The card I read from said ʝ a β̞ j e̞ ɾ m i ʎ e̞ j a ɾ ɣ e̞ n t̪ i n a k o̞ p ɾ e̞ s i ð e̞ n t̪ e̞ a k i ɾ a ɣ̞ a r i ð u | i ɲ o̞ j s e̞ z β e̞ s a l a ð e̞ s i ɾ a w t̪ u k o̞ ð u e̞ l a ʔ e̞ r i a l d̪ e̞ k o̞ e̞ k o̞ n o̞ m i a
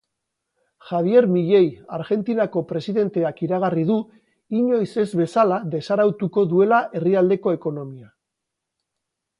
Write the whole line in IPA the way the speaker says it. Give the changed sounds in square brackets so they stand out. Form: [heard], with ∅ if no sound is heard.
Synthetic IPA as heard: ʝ a β̞ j e̞ ɾ m i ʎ e̞ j a ɾ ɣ e̞ n t̪ i n a k o̞ p ɾ e̞ s i ð e̞ n t̪ e̞ a k i ɾ a ɣ̞ a r i ð u | i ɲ o̞ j s e̞ z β e̞ s a l a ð e̞ s [a] ɾ a w t̪ u k o̞ ð u e̞ l a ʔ e̞ r i a l d̪ e̞ k o̞ e̞ k o̞ n o̞ m i a